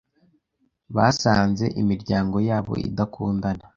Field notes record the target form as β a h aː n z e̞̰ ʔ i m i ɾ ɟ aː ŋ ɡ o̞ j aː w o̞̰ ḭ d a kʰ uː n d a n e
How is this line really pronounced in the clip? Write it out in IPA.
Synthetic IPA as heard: β a s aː n z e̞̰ ʔ i m i ɾ ɟ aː ŋ ɡ o̞ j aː β o̞̰ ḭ d a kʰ uː n d a n a